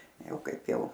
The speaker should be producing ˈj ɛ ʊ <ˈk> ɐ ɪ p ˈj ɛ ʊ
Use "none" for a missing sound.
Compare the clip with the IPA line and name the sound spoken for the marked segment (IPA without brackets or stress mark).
k